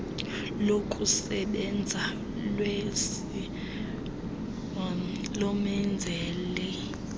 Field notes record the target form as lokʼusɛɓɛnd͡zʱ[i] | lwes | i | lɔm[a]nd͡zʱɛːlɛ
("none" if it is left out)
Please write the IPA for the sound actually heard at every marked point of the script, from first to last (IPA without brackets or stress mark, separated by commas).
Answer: a, ɛ